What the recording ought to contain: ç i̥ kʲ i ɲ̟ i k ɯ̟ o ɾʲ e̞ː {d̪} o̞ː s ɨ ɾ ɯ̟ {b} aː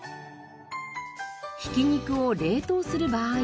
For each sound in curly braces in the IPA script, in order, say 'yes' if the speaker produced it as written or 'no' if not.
no, yes

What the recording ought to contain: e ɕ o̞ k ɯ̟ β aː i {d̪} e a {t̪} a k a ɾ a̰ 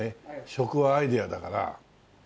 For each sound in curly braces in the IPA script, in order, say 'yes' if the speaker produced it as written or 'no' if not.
yes, no

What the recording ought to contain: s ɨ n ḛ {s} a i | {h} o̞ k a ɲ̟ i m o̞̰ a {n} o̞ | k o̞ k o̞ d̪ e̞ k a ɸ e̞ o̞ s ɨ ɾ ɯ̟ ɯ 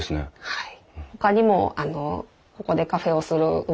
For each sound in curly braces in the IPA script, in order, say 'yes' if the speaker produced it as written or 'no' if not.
no, yes, yes

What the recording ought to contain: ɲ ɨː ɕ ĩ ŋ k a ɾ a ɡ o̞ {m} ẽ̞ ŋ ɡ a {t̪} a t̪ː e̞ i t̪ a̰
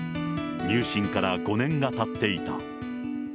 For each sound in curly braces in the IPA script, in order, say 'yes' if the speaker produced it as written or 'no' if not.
no, yes

